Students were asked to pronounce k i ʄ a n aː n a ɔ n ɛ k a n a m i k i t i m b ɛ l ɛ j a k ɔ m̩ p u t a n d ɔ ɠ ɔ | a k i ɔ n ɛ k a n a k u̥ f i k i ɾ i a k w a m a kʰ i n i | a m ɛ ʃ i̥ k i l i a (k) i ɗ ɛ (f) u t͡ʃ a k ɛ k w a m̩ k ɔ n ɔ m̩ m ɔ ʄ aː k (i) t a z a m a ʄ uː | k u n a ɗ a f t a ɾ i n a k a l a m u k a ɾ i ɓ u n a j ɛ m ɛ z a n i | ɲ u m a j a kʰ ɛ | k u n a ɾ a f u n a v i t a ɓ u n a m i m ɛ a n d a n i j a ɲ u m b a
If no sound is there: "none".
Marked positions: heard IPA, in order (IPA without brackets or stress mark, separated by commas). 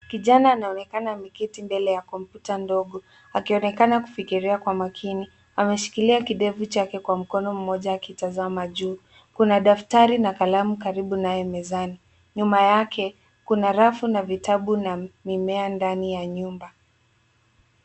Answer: k, v, i